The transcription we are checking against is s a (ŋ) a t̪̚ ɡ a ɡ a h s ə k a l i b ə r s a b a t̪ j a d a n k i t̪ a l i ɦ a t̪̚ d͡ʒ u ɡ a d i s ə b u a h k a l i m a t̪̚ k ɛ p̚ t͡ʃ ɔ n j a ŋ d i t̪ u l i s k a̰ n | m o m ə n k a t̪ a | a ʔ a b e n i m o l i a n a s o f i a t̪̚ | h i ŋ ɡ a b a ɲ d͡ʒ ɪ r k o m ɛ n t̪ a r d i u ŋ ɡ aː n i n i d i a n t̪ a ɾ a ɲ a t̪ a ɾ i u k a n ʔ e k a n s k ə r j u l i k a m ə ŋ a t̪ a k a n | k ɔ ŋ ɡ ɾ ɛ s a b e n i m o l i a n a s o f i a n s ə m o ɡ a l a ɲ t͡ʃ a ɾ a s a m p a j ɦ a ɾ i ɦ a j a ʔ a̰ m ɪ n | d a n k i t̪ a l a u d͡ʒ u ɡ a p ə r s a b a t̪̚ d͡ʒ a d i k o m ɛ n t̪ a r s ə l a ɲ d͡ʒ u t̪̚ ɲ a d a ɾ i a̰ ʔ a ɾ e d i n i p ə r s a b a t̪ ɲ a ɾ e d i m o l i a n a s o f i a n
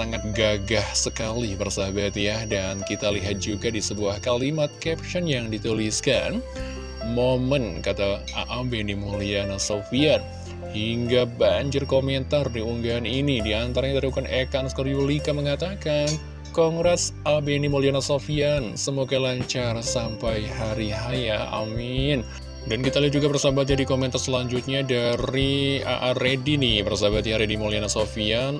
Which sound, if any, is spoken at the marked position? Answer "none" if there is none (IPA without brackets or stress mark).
ŋ